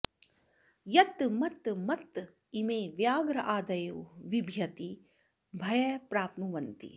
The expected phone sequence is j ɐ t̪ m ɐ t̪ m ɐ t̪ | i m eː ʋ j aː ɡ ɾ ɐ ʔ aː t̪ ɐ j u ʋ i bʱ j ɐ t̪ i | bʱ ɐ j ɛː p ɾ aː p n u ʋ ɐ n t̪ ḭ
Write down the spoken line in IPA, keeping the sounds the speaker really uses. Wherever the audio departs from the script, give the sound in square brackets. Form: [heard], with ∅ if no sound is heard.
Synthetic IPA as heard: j ɐ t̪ m ɐ t̪ m ɐ t̪ | i m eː ʋ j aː ɡ ɾ ɐ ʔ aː [d̪] ɐ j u ʋ i bʱ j ɐ t̪ i | bʱ ɐ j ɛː p ɾ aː p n u ʋ ɐ n t̪ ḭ